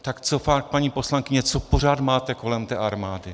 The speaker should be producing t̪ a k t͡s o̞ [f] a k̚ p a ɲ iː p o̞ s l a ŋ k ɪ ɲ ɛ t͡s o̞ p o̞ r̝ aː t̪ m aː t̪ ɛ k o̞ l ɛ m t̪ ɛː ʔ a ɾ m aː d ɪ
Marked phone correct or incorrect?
correct